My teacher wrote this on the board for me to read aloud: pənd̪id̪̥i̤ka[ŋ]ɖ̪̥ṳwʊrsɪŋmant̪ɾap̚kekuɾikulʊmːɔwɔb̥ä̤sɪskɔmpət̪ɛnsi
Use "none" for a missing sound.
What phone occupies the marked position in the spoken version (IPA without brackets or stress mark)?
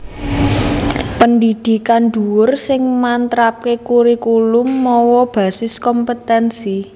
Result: n